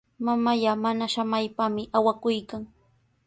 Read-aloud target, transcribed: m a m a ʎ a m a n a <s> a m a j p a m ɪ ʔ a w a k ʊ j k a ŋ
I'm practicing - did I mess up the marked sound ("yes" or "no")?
yes